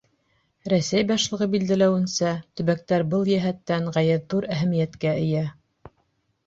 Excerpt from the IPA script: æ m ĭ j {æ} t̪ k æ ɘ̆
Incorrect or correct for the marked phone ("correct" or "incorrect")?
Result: correct